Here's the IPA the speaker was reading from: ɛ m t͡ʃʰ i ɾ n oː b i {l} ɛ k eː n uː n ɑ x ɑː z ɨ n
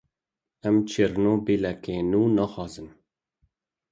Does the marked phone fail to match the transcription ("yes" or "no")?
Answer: no